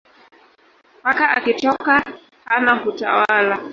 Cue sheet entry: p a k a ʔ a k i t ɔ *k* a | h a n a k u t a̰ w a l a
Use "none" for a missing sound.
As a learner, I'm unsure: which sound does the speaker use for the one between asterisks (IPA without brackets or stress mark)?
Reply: k